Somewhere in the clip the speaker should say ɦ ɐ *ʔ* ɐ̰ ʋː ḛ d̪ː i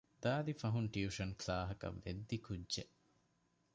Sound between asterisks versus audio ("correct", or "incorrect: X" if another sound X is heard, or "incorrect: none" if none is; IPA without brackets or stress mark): incorrect: k